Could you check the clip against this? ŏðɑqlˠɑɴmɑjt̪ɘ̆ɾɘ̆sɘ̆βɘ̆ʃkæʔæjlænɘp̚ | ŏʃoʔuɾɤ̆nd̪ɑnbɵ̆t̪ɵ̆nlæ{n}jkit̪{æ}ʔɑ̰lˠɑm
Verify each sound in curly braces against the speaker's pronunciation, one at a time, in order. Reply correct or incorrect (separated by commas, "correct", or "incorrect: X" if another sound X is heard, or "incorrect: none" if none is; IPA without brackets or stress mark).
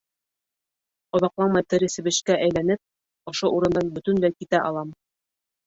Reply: incorrect: none, correct